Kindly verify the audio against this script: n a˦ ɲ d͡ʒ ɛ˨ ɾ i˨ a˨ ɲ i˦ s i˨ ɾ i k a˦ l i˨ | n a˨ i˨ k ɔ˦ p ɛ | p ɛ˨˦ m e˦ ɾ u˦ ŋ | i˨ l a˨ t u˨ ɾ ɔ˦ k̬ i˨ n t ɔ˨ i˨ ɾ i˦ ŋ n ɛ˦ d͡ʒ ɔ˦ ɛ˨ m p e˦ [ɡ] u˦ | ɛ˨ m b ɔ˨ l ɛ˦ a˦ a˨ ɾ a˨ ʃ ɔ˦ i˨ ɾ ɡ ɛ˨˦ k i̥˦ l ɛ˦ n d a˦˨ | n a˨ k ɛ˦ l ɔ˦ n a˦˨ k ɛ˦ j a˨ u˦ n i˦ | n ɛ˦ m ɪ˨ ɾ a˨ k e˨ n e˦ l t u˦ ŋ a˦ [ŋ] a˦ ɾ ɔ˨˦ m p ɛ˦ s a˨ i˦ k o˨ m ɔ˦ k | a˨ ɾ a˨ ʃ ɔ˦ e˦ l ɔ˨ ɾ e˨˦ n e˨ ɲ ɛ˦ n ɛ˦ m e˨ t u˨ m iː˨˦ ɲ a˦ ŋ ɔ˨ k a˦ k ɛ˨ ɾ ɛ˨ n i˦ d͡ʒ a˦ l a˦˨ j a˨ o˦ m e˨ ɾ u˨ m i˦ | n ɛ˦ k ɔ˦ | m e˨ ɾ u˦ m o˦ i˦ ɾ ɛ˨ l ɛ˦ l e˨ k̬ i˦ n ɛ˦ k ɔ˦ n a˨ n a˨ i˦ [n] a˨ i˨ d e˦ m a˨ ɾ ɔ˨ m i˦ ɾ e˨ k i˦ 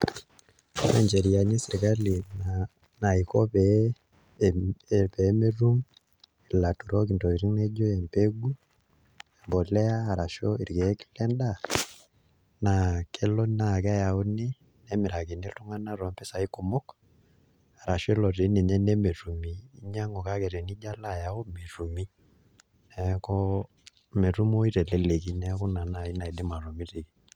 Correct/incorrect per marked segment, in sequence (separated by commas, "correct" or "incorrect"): correct, incorrect, correct